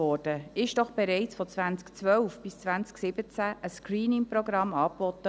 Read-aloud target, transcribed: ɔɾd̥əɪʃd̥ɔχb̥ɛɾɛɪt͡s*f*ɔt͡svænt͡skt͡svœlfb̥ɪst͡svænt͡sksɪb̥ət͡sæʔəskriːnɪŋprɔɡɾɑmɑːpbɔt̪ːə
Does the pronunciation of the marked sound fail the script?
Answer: no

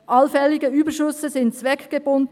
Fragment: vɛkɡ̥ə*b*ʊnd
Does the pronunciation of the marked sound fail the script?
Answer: no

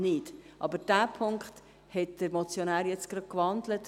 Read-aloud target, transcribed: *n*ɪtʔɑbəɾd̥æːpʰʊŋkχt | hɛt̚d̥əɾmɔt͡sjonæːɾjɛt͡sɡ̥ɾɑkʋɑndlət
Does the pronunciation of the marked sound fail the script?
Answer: no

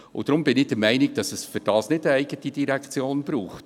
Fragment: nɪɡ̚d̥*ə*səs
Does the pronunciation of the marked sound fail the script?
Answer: yes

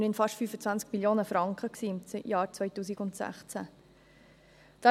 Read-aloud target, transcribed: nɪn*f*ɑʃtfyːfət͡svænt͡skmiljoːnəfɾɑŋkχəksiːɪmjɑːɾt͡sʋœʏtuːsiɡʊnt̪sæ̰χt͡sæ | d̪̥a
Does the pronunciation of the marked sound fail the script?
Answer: no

